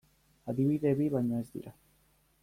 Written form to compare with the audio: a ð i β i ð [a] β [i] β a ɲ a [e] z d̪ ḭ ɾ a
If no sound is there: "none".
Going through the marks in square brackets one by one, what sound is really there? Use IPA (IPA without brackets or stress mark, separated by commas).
e, i, e